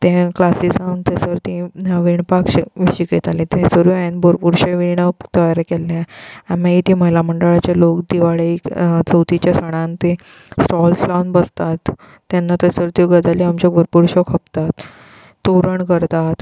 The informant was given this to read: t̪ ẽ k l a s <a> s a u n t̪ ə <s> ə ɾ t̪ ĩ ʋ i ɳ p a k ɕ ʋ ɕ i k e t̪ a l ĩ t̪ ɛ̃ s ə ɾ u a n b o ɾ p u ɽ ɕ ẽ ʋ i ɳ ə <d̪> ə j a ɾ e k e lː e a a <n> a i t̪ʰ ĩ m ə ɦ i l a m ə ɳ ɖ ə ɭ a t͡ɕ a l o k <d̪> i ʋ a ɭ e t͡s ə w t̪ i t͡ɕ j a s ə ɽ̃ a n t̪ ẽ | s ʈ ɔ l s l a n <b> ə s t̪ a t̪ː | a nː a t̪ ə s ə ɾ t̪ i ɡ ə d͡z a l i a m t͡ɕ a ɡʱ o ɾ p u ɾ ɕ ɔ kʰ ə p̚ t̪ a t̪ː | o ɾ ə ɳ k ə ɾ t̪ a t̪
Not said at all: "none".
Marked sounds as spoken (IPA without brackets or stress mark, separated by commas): i, s, t̪, m, d̪, b